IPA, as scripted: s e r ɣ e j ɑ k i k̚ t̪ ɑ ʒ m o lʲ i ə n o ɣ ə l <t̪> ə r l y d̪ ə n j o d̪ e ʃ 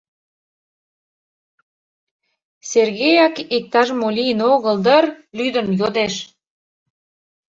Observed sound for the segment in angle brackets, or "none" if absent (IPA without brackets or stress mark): d̪